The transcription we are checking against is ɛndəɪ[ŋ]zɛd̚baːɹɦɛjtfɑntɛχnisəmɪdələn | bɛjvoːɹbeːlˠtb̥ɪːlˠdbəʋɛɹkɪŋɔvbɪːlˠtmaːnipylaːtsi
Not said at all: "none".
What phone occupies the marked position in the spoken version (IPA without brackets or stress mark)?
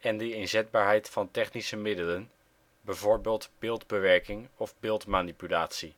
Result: n